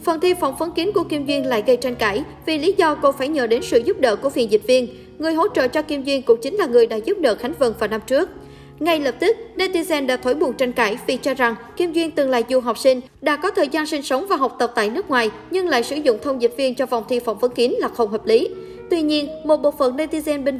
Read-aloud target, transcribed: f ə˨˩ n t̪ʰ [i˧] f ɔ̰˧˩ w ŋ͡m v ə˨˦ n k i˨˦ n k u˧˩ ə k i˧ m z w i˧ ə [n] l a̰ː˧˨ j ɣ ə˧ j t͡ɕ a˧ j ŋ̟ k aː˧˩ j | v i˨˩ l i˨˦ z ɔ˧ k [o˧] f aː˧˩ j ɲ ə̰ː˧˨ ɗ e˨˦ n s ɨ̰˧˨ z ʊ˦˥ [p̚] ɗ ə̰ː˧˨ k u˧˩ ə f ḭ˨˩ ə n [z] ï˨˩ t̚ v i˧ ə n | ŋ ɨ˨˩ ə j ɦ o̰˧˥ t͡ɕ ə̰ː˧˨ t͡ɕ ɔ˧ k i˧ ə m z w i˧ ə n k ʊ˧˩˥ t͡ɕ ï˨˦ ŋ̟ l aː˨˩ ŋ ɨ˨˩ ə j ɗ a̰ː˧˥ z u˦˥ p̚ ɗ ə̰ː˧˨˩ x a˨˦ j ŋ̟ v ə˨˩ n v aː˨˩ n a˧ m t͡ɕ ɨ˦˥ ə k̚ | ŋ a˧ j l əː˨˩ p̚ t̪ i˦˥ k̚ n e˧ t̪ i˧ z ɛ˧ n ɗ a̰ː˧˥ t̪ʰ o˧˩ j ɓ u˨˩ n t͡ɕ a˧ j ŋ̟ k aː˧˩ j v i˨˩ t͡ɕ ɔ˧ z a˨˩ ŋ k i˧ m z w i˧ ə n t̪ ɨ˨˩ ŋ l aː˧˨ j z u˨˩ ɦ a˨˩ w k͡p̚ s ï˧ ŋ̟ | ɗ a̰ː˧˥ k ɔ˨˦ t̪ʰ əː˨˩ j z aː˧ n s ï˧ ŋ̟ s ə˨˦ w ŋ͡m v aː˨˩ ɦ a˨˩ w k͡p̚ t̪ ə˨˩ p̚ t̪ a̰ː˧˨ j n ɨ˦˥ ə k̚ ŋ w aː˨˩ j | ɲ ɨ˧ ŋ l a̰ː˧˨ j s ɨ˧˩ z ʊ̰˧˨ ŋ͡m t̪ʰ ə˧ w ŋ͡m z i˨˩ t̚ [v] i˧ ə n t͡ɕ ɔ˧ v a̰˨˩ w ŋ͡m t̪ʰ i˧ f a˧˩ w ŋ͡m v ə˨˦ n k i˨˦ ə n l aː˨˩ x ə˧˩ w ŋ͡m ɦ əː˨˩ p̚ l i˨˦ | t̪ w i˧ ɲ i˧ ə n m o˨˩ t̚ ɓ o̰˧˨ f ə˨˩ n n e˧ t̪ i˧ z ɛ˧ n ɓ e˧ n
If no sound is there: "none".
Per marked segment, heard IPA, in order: i˧, n, o˧, p̚, z, v

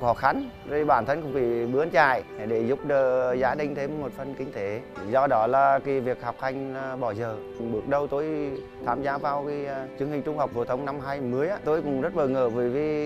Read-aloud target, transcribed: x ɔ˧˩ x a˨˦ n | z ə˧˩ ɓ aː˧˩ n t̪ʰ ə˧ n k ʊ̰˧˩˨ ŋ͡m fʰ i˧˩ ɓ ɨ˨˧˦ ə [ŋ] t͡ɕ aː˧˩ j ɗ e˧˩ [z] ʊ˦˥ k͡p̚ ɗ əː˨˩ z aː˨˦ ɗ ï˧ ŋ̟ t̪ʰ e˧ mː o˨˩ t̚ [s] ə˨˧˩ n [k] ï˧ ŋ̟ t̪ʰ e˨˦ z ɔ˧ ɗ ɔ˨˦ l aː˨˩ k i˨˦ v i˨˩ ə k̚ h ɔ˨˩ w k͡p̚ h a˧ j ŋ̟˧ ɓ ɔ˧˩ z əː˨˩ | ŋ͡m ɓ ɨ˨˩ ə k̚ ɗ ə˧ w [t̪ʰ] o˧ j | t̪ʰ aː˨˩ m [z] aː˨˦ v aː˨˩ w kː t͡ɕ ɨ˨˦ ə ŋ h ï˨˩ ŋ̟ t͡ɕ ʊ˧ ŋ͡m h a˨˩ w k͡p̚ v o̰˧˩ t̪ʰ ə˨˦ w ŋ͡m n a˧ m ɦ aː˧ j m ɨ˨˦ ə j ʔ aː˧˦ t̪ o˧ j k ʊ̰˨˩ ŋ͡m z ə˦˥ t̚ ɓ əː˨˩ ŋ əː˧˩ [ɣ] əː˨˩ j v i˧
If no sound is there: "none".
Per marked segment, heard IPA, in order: n, z, f, k, t̪, z, v

